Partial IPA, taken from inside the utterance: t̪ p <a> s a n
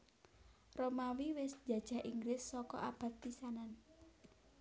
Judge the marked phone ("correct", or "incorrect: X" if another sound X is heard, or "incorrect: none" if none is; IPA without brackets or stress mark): incorrect: i